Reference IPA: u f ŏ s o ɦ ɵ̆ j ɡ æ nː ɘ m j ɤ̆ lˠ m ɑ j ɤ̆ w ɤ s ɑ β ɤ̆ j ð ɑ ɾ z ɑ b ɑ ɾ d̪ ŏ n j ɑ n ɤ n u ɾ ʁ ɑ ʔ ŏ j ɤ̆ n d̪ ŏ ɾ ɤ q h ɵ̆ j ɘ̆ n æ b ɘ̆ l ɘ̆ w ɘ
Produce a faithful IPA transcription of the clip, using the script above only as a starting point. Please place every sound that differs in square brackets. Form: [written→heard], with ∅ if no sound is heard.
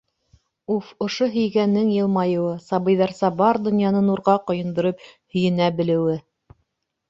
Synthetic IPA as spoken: u f ŏ [s→ʃ] o ɦ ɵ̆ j ɡ æ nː ɘ [m→ŋ] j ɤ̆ lˠ m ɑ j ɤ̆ w ɤ s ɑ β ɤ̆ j ð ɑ ɾ [z→s] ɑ b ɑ ɾ d̪ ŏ n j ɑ n ɤ n u ɾ ʁ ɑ [ʔ→q] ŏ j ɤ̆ n d̪ ŏ ɾ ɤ [q→p] h ɵ̆ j ɘ̆ n æ b ɘ̆ l ɘ̆ w ɘ